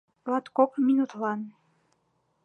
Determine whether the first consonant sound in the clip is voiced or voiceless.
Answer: voiced